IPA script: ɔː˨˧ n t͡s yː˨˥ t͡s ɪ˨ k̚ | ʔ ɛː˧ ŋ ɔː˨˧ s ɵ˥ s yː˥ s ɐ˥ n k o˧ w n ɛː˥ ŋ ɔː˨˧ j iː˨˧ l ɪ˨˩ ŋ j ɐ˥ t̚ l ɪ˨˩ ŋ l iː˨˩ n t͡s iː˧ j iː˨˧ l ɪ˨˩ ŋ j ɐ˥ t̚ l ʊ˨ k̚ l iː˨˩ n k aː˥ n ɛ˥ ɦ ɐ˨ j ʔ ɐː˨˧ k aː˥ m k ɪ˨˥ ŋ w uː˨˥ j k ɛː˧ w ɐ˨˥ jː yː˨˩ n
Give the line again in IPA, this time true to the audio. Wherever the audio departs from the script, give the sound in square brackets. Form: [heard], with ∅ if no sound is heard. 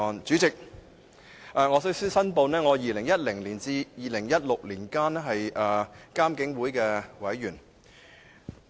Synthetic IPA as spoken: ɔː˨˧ n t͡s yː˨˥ t͡s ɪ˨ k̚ | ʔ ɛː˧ ŋ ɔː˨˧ s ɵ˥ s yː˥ s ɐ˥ n [p] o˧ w n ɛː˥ ŋ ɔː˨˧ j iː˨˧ l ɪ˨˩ ŋ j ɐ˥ t̚ l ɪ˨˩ ŋ l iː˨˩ n t͡s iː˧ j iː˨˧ l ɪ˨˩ ŋ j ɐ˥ t̚ l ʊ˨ k̚ l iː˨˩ n k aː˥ n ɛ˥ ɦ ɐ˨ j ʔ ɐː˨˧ k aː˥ m k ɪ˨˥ ŋ w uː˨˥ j k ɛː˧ w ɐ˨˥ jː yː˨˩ n